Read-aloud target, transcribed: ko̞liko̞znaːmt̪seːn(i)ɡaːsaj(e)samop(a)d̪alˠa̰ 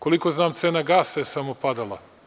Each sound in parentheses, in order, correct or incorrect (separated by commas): incorrect, correct, correct